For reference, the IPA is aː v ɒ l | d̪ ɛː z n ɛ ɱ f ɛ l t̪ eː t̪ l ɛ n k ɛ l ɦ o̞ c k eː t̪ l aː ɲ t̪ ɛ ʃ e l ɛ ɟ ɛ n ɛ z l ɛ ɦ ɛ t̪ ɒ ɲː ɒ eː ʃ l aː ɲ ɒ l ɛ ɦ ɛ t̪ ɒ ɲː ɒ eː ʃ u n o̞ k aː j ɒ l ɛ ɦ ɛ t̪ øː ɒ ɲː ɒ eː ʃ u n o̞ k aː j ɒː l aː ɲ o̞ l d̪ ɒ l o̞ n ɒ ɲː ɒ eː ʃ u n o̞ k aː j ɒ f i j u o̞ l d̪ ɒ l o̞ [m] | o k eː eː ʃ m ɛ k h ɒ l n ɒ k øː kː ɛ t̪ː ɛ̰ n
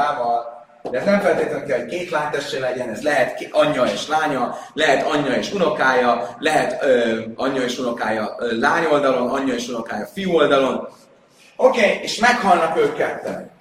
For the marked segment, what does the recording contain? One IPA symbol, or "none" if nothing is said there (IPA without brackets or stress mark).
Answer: n